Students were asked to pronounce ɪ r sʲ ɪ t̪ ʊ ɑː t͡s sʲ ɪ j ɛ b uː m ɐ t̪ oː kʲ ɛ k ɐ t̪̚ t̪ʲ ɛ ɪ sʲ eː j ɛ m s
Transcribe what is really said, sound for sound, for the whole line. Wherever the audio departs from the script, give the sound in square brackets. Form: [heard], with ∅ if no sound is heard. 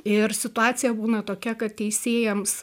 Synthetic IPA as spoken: ɪ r sʲ ɪ t̪ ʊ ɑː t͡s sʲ ɪ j ɛ b uː [n] ɐ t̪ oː kʲ ɛ k ɐ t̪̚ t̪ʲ ɛ ɪ sʲ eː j ɛ m s